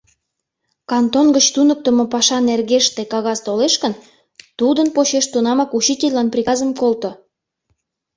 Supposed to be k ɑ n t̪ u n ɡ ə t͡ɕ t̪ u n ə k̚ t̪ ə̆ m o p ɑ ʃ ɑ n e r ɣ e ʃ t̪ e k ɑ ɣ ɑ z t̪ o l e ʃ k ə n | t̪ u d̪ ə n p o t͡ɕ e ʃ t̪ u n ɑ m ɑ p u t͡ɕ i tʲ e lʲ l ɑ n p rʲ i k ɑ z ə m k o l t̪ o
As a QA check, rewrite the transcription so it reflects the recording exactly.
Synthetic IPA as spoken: k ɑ n t̪ o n ɡ ə t͡ɕ t̪ u n ə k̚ t̪ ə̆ m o p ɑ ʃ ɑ n e r ɣ e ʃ t̪ e k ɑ ɣ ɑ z t̪ o l e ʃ k ə n | t̪ u d̪ ə n p o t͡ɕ e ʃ t̪ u n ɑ m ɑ k u t͡ɕ i tʲ e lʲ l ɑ n p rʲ i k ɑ z ə m k o l t̪ o